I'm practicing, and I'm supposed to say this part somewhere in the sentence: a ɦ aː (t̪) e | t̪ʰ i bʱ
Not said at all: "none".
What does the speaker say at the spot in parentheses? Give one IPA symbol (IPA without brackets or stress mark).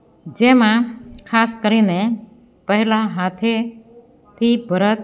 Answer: t̪ʰ